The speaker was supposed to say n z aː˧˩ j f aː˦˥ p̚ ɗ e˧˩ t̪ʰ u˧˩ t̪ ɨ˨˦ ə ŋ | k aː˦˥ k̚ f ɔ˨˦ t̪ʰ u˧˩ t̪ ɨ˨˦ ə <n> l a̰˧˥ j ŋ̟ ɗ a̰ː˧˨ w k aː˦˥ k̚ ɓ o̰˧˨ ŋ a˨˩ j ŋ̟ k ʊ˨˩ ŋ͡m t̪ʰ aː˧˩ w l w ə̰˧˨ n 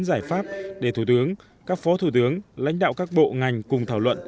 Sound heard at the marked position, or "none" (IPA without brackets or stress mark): ŋ